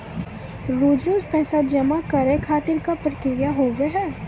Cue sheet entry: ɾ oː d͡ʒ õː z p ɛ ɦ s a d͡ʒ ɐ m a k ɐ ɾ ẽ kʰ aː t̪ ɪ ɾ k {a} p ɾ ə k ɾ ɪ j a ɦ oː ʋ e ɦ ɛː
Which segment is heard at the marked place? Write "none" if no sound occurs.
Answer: a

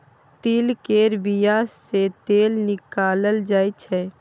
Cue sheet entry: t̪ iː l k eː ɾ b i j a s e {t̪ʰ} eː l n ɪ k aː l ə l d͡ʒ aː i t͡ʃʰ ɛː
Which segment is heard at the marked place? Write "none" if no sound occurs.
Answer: t̪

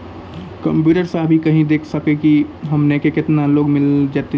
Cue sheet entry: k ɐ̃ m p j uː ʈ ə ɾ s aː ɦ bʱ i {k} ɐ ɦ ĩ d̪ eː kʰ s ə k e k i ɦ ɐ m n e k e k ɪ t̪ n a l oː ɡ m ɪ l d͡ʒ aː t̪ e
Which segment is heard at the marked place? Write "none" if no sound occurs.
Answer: k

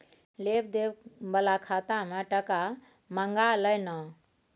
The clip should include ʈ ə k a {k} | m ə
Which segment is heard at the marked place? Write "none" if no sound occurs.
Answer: none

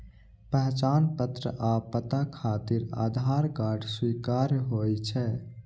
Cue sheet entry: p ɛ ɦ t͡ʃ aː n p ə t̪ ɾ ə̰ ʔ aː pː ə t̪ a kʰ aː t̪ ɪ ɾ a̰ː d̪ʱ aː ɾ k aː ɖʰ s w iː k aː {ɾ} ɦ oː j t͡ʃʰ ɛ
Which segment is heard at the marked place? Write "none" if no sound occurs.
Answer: ɾ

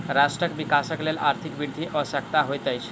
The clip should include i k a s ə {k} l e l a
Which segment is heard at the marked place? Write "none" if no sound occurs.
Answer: k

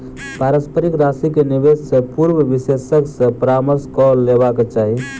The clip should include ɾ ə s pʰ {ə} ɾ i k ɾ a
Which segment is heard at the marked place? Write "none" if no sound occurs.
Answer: ə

